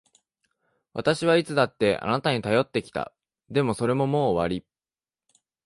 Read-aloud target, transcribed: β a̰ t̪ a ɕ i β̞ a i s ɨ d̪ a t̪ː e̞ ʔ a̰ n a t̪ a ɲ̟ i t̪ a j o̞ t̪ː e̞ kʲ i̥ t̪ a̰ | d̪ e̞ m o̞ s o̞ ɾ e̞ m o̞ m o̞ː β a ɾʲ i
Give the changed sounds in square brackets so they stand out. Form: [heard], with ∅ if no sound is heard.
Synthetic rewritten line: β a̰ t̪ a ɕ i β̞ a i [t͡s] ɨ d̪ a t̪ː e̞ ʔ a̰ n a t̪ a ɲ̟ i t̪ a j o̞ t̪ː e̞ kʲ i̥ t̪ a̰ | d̪ e̞ m o̞ s o̞ ɾ e̞ m o̞ m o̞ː β a ɾʲ i

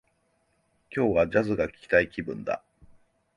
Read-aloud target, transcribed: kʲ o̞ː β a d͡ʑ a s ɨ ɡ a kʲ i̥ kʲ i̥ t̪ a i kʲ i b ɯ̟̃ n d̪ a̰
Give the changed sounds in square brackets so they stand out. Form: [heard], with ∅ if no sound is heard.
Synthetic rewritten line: kʲ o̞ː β a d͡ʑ a [z] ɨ ɡ a kʲ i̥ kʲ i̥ t̪ a i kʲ i b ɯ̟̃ n d̪ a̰

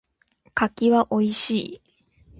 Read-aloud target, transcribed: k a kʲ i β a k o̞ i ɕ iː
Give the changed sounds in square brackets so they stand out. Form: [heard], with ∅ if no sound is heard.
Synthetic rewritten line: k a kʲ i β a [ʔ] o̞ i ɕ iː

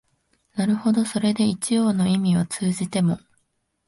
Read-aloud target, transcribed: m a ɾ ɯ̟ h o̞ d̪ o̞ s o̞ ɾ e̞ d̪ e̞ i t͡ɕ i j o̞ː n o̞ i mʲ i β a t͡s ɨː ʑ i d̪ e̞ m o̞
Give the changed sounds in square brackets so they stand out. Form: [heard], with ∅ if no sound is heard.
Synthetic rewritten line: [n] a ɾ ɯ̟ h o̞ d̪ o̞ s o̞ ɾ e̞ d̪ e̞ i t͡ɕ i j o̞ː n o̞ i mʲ i β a t͡s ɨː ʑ i [t̪] e̞ m o̞

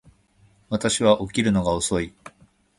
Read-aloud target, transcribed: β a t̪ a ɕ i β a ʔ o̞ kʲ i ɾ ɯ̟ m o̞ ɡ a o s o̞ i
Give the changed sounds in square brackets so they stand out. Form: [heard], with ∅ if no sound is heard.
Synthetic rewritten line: β a t̪ a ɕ i β a ʔ o̞ kʲ i ɾ ɯ̟ [n] o̞ ɡ a o s o̞ i

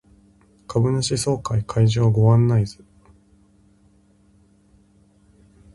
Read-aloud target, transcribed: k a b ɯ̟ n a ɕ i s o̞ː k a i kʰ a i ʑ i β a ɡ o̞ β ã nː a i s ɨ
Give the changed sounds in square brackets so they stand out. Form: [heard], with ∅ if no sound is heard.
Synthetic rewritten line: k a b ɯ̟ n a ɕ i s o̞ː k a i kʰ a i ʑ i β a ɡ o̞ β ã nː a i [z] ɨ

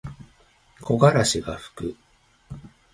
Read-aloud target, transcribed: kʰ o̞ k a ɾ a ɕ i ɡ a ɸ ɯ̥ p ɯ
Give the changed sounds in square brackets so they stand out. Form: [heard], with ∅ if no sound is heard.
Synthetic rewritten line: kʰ o̞ [ɡ] a ɾ a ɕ i ɡ a ɸ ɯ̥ [k] ɯ

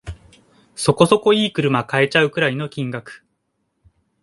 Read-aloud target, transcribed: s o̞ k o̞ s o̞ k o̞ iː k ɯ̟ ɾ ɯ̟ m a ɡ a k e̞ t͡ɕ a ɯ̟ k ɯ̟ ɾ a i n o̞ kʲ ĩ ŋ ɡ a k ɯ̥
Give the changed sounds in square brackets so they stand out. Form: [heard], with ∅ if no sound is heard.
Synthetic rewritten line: s o̞ k o̞ s o̞ k o̞ iː k ɯ̟ ɾ ɯ̟ m a [k] a [∅] e̞ t͡ɕ a ɯ̟ k ɯ̟ ɾ a i n o̞ kʲ ĩ ŋ ɡ a k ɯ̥

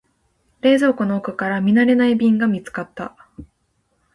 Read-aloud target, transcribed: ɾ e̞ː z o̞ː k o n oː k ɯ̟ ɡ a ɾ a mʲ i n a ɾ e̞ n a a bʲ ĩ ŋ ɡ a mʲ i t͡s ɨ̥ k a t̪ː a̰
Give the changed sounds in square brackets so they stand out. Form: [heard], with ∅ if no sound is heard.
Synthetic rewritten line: ɾ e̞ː z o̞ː k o n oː k ɯ̟ [k] a ɾ a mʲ i n a ɾ e̞ n a [i] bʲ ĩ ŋ ɡ a mʲ i t͡s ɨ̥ k a t̪ː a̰

